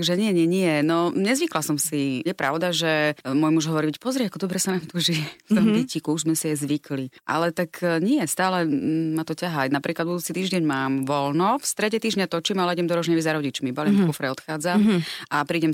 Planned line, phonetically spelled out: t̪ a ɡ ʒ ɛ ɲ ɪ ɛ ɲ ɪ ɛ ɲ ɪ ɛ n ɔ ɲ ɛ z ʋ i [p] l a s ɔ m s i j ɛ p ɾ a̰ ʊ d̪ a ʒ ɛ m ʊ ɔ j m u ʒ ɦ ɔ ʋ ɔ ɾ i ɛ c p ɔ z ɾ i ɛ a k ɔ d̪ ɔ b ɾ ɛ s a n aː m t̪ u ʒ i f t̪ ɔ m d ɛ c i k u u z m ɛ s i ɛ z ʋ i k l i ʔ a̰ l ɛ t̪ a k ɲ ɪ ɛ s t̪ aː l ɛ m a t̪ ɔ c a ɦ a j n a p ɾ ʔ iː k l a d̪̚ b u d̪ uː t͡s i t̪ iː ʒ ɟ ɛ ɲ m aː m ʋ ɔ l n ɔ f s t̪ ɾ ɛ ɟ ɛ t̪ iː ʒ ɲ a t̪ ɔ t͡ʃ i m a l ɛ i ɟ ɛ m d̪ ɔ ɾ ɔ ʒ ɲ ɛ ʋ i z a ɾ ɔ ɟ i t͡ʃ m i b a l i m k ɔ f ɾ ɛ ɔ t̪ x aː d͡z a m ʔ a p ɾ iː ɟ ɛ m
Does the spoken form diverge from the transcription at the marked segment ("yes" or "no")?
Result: yes